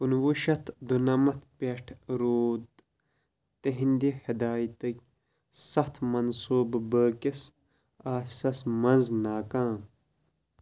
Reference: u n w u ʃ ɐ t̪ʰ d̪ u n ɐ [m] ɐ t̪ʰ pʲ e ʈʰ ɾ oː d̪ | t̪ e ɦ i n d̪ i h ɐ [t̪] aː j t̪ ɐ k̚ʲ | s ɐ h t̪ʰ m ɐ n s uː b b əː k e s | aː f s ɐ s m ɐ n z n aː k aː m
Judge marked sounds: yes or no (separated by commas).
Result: yes, no